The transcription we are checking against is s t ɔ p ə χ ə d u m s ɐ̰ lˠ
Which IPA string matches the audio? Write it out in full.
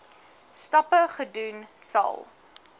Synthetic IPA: s t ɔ p ə χ ə d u n s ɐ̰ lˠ

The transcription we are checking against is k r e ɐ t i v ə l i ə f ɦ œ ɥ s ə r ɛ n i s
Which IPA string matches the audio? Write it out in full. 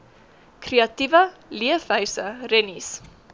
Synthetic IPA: k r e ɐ t i v ə l i ə f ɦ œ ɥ s ə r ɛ n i s

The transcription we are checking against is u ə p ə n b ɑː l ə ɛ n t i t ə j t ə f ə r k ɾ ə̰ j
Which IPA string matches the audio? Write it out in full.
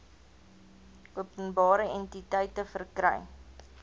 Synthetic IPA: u ə p ə n b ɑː ɾ ə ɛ n t i t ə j t ə f ə r k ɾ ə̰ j

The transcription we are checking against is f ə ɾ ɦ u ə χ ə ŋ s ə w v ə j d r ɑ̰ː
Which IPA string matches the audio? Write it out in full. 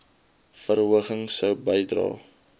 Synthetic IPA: f ə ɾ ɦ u ə χ ə ŋ s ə w b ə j d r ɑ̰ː

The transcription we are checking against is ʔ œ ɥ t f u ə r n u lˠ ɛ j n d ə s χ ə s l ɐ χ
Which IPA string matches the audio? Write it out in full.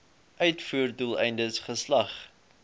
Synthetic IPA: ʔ œ ɥ t f u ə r d u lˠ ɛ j n d ə s χ ə s l ɐ χ

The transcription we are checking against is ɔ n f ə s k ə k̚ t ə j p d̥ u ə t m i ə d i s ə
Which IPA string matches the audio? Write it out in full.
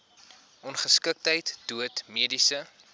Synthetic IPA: ɔ n χ ə s k ə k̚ t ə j t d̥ u ə t m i ə d i s ə

